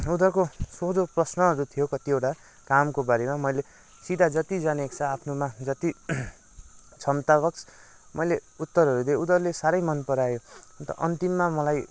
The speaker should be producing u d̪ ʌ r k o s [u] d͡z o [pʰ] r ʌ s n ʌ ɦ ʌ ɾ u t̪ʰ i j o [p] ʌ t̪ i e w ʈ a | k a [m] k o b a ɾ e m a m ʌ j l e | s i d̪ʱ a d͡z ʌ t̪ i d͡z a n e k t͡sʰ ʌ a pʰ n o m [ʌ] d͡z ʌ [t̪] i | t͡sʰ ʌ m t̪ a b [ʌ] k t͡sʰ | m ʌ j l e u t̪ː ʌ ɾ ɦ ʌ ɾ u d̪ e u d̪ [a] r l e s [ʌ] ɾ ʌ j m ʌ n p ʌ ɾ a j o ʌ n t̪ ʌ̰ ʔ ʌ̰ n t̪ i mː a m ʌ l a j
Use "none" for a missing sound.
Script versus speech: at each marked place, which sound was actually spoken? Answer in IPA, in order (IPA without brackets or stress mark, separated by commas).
o, p, k, m, a, t̪, ʌ, ʌ, a